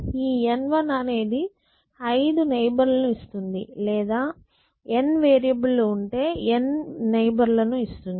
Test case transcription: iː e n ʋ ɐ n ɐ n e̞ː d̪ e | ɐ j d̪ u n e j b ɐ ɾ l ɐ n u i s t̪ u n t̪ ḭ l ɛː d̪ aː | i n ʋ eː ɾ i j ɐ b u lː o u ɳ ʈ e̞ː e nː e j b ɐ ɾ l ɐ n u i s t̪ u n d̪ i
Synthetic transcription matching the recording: iː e n ʋ ɐ n ɐ n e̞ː d̪ i | ɐ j d̪ u n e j b ɐ ɾ l ɐ n u i s t̪ u n d̪ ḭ l ɛː d̪ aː | e n ʋ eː ɾ i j ɐ b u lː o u ɳ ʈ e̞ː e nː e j b ɐ ɾ l ɐ n u i s t̪ u n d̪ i